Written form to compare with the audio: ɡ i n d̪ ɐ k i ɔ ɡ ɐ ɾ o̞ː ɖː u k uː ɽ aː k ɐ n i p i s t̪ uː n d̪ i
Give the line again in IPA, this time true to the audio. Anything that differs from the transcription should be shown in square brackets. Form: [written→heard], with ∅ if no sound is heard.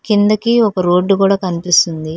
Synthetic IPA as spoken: [ɡ→k] i n d̪ ɐ k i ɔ [ɡ→k] ɐ ɾ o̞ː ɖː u k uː ɽ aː k ɐ n i p i s t̪ [uː→u] n d̪ i